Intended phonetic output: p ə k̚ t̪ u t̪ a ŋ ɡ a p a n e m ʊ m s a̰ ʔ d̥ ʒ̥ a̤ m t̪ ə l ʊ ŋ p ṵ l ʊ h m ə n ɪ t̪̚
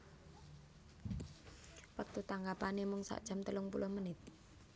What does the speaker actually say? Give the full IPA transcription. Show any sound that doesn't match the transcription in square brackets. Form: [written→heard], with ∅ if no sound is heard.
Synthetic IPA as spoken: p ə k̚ t̪ u t̪ a ŋ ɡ a p a n e m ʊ [m→ŋ] s a̰ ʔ d̥ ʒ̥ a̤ m t̪ ə l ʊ ŋ p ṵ l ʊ h m ə n ɪ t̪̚